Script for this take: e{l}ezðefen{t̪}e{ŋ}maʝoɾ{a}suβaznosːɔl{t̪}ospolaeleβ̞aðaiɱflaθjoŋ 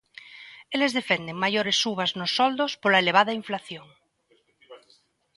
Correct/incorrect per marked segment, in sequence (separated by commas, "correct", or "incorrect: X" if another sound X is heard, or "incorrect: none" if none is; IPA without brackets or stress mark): correct, incorrect: d̪, correct, incorrect: e, incorrect: d̪